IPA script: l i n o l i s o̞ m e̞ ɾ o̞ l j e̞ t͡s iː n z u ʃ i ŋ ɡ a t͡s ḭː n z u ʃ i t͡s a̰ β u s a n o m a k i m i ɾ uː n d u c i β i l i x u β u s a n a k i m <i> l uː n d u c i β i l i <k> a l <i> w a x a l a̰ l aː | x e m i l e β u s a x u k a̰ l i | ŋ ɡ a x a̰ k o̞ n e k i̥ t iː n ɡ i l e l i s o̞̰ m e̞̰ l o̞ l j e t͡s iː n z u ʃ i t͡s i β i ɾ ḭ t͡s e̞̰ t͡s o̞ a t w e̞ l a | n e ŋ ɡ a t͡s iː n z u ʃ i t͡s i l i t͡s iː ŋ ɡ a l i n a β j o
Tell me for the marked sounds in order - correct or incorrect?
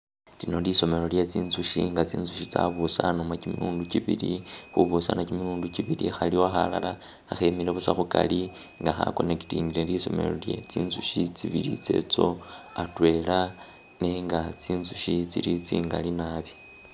correct, incorrect: x, correct

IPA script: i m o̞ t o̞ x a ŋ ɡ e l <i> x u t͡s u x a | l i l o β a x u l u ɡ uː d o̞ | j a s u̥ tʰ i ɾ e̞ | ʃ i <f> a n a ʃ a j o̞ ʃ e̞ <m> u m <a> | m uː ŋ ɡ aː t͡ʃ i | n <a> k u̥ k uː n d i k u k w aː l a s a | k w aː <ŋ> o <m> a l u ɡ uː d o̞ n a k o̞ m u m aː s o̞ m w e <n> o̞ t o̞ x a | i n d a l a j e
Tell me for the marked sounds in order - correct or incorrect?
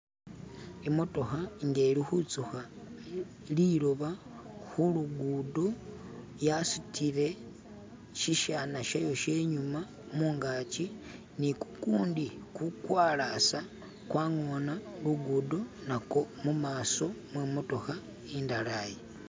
correct, incorrect: ʃ, incorrect: ɲ, correct, incorrect: i, correct, incorrect: n, incorrect: m

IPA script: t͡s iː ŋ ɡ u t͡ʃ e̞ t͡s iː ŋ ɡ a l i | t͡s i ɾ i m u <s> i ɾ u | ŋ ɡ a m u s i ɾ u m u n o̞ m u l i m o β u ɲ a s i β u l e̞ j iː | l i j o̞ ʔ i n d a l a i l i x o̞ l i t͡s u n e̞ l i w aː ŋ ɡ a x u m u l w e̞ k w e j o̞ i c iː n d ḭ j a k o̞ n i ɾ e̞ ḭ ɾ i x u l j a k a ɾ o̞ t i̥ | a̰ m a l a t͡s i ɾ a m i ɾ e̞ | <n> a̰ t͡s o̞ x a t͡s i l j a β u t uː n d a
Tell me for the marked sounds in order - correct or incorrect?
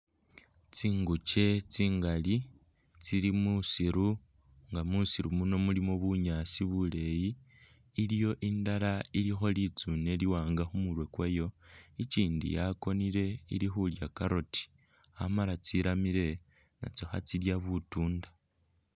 correct, correct

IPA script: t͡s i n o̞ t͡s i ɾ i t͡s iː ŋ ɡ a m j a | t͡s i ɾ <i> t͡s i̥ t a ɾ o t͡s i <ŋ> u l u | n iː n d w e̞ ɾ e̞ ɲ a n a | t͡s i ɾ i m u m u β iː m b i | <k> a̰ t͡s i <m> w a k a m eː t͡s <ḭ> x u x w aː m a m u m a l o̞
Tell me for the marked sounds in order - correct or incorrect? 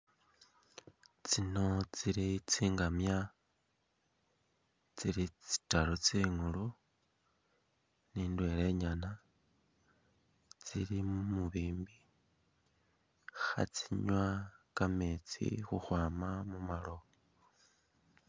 correct, correct, incorrect: x, incorrect: ɲ, correct

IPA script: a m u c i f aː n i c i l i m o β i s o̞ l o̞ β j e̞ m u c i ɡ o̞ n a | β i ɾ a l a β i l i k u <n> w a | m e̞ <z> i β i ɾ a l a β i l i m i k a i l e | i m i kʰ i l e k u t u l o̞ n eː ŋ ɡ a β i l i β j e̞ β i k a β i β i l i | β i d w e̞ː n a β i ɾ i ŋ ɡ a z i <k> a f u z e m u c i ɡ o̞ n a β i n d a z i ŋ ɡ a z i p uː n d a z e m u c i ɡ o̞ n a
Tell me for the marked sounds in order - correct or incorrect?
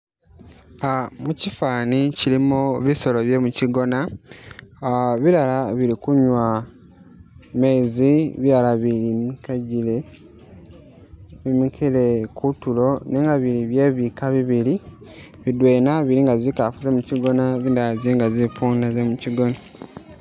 incorrect: ɲ, correct, correct

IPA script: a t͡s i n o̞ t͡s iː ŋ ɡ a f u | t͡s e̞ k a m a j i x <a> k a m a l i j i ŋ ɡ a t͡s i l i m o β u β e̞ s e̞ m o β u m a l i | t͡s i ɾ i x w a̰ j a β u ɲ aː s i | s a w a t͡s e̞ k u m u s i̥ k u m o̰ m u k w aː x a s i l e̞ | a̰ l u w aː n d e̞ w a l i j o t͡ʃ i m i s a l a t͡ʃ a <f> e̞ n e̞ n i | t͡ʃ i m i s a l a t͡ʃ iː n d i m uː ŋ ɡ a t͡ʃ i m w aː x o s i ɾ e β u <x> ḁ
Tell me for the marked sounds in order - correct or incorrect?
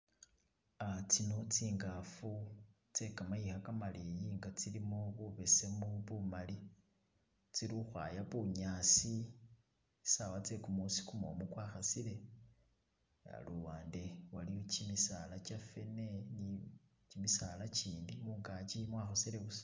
correct, correct, incorrect: s

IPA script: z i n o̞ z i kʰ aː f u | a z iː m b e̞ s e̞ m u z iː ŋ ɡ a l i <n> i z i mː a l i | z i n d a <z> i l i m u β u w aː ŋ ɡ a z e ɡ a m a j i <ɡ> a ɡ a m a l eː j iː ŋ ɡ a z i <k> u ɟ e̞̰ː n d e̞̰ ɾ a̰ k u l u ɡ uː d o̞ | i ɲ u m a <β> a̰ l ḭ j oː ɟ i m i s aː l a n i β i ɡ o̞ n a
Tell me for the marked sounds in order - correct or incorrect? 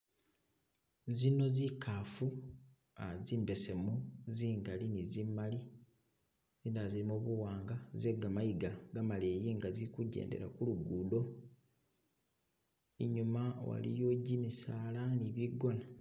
correct, correct, correct, correct, incorrect: w

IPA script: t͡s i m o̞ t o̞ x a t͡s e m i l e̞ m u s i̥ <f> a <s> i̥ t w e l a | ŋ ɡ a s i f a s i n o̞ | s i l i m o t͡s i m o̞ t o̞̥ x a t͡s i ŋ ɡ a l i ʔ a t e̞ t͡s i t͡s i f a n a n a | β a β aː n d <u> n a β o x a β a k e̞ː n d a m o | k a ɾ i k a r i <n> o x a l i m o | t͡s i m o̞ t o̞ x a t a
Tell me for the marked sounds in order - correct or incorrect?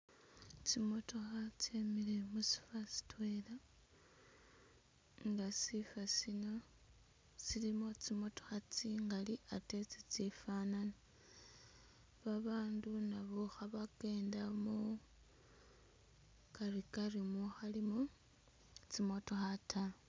correct, correct, correct, incorrect: m

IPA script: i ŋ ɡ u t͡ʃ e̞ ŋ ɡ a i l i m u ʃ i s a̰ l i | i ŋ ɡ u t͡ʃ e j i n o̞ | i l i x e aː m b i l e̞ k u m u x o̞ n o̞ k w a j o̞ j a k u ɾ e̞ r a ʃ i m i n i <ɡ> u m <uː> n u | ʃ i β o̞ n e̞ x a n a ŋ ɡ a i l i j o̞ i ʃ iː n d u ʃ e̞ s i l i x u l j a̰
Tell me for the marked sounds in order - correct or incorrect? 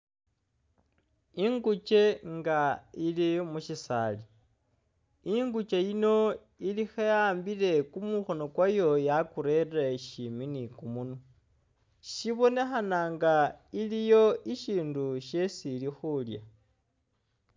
incorrect: k, incorrect: u

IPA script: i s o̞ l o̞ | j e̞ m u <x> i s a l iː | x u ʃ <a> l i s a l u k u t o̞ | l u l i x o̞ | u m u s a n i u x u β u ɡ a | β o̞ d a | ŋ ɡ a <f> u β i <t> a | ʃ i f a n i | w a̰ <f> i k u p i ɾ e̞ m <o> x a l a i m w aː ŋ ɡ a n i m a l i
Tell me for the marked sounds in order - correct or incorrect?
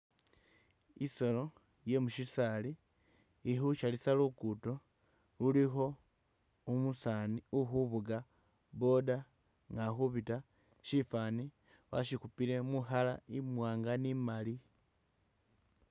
incorrect: ʃ, correct, incorrect: x, correct, incorrect: ʃ, incorrect: u

